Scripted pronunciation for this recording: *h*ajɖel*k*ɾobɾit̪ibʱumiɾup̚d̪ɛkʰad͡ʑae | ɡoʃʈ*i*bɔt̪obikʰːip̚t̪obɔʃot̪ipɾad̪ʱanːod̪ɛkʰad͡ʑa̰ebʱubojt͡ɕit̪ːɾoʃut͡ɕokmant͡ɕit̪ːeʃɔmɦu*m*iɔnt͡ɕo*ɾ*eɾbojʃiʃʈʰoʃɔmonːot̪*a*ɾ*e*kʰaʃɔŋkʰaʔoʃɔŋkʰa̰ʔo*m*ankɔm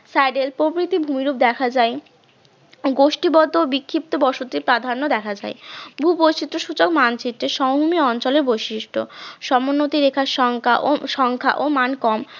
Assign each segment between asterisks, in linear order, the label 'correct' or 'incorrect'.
incorrect, incorrect, correct, correct, incorrect, incorrect, correct, correct

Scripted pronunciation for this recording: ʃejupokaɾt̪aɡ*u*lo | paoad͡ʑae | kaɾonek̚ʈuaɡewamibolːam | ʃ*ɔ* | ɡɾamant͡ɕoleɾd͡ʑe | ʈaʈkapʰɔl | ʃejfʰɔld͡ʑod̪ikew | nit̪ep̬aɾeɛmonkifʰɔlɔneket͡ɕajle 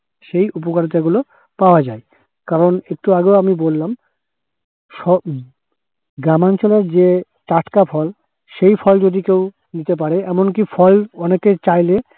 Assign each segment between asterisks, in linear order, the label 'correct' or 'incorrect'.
correct, correct

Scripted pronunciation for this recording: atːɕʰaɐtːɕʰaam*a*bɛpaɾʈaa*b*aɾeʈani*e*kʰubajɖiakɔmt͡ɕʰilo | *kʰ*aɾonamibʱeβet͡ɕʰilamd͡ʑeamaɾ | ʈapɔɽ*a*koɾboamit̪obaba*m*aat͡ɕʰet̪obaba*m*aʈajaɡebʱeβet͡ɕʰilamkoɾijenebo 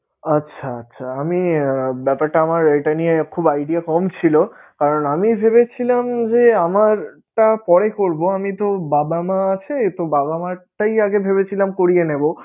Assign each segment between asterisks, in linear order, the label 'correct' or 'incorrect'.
incorrect, incorrect, correct, incorrect, incorrect, correct, correct

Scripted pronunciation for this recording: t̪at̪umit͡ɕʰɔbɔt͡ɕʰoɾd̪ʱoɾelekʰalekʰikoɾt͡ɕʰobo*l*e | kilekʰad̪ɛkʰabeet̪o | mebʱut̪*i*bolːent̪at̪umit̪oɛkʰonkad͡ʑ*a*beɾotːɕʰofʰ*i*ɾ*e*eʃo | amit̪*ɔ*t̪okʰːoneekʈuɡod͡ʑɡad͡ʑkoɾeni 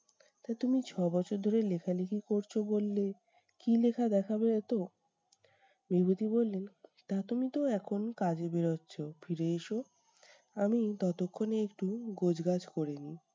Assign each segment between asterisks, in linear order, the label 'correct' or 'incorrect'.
incorrect, correct, incorrect, correct, correct, correct

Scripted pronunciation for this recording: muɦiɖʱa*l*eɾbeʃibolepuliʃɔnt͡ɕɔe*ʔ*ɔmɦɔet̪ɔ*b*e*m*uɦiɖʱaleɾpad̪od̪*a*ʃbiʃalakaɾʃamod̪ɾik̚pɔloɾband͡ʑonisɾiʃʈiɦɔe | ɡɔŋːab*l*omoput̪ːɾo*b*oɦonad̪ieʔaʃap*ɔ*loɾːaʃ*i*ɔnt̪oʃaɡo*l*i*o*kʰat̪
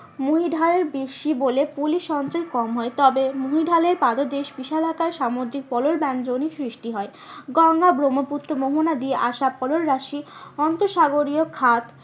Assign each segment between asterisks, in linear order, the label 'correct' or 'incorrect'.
correct, incorrect, correct, correct, incorrect, incorrect, incorrect, correct, correct, incorrect, correct

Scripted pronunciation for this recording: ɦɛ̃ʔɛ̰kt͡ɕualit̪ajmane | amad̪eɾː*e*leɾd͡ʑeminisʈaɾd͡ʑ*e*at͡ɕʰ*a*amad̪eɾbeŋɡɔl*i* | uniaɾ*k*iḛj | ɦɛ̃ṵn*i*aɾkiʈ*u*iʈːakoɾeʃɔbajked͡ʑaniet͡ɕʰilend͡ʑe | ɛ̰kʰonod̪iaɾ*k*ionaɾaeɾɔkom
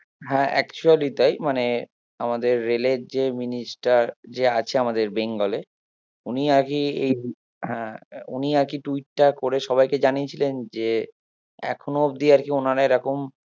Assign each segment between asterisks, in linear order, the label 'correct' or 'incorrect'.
correct, correct, incorrect, incorrect, correct, correct, correct, correct

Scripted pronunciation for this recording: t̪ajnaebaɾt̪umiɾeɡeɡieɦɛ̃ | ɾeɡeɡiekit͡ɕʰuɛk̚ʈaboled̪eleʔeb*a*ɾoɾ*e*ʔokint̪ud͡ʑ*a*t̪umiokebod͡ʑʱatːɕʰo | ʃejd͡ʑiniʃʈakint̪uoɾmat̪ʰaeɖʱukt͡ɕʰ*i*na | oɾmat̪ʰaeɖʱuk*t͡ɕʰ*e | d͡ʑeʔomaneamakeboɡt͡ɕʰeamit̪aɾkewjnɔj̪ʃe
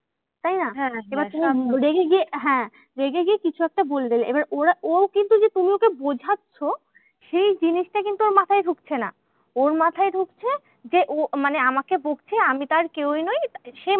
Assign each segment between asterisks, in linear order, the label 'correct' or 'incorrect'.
correct, incorrect, incorrect, incorrect, correct

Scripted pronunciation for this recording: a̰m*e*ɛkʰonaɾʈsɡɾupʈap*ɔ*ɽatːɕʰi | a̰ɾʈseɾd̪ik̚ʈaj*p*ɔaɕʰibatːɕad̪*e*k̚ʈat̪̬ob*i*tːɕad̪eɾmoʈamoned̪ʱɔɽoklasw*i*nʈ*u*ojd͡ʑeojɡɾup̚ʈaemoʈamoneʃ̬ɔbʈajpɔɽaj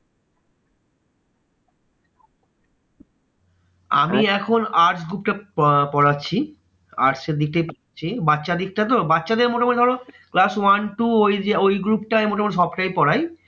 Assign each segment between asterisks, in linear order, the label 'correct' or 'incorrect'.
incorrect, correct, correct, incorrect, incorrect, incorrect, correct

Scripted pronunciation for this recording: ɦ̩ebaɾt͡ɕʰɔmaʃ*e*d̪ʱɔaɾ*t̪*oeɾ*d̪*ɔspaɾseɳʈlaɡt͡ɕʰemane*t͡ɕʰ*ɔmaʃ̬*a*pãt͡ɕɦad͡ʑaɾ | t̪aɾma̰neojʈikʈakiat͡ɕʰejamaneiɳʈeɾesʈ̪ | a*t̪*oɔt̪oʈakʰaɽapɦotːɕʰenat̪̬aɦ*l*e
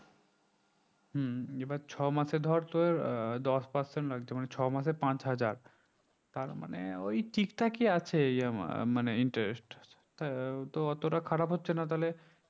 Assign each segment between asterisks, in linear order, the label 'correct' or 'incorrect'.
correct, correct, correct, correct, incorrect, correct, correct

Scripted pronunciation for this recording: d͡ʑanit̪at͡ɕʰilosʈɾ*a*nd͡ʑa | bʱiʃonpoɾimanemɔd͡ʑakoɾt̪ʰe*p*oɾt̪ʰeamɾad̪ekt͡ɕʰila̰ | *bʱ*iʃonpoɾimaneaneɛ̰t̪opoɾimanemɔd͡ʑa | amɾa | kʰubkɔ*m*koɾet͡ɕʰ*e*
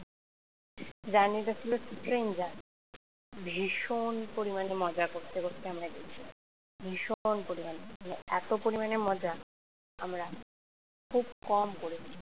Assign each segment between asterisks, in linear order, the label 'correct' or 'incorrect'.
incorrect, incorrect, correct, correct, incorrect

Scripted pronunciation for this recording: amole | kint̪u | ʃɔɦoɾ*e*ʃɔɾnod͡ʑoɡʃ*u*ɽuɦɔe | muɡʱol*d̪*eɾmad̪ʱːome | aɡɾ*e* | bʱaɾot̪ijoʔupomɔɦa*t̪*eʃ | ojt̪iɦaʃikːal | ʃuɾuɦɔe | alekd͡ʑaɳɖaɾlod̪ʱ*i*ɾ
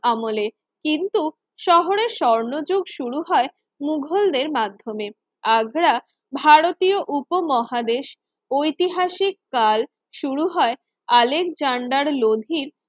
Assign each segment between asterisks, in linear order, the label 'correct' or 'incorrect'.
correct, correct, correct, incorrect, incorrect, correct

